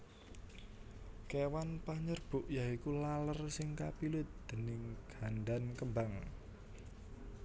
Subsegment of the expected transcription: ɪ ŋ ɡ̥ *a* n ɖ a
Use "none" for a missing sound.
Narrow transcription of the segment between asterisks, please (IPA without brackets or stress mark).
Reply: a